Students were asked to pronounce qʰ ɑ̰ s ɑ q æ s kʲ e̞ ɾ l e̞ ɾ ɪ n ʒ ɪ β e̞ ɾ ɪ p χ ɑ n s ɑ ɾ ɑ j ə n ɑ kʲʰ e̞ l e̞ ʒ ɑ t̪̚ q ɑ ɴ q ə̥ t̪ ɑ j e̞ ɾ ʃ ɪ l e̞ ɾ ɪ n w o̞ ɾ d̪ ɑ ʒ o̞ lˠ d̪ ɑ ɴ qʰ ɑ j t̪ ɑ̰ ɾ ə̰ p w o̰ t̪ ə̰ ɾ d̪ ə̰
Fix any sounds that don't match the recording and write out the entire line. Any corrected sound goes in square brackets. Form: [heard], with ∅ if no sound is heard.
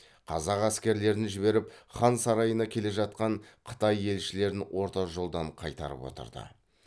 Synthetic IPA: qʰ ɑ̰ [z] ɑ q æ s kʲ e̞ ɾ l e̞ ɾ ɪ n ʒ ɪ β e̞ ɾ ɪ p χ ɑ n s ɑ ɾ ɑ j ə n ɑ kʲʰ e̞ l e̞ ʒ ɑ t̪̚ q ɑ ɴ [qʰ] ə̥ t̪ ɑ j e̞ [l] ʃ ɪ l e̞ ɾ ɪ n w o̞ ɾ [t̪] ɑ ʒ o̞ lˠ d̪ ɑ ɴ qʰ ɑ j t̪ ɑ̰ ɾ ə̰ p w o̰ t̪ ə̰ ɾ d̪ ə̰